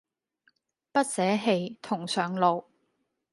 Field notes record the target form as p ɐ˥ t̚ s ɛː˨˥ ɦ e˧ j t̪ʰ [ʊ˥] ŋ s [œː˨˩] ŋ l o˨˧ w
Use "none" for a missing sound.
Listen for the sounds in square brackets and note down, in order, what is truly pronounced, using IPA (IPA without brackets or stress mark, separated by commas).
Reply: ʊ˨˩, œː˨˩